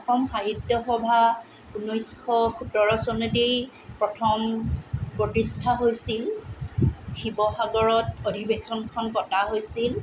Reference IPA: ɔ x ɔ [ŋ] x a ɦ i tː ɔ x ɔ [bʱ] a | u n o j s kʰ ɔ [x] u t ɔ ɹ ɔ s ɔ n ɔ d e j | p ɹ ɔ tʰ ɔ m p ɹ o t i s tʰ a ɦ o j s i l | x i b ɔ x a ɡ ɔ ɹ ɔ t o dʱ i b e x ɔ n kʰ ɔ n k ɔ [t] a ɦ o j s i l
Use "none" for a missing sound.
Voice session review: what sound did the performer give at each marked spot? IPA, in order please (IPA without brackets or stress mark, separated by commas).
m, bʱ, x, t